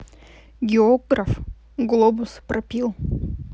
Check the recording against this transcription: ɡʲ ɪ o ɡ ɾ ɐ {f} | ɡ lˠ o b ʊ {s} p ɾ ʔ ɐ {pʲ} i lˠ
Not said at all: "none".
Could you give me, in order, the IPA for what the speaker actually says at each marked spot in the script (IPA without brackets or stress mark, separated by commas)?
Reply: f, s, pʲ